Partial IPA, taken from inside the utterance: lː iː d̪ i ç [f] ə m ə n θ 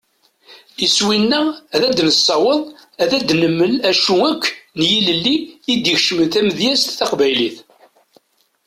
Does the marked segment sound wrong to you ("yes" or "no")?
yes